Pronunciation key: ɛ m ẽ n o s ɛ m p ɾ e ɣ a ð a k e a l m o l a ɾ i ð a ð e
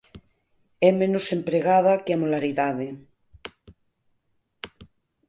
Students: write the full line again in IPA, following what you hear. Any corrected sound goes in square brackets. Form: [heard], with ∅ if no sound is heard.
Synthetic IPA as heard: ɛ m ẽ n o s [e] m p ɾ e ɣ a ð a k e a [∅] m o l a ɾ i ð a ð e